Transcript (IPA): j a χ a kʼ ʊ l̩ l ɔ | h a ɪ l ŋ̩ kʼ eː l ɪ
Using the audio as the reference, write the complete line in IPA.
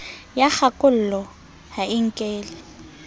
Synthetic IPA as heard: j a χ a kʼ ʊ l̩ l ɔ | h a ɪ ŋ̩ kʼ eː l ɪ